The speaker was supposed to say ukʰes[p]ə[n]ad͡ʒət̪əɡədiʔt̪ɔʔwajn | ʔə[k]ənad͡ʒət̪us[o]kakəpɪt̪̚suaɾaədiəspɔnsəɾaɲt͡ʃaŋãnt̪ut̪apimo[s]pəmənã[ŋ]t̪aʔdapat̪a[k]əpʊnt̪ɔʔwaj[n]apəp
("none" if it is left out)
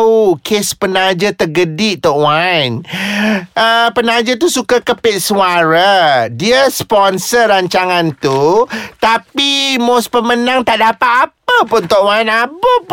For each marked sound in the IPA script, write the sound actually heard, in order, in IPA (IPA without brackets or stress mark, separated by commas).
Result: p, n, p, u, s, ŋ, p, n